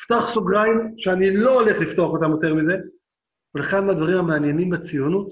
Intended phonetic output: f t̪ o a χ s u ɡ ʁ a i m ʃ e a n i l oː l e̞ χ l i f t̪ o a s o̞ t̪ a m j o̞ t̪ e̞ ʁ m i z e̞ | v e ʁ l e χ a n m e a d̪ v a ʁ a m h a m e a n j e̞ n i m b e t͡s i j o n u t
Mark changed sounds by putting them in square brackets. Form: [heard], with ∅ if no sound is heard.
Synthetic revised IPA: f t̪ o a χ s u ɡ ʁ a i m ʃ e a n i l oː l e̞ χ l i f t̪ o a [χ] o̞ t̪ a m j o̞ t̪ e̞ ʁ m i z e̞ | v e [∅] l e χ a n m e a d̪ v a ʁ [i] m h a m e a n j e̞ n i m b e t͡s i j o n u t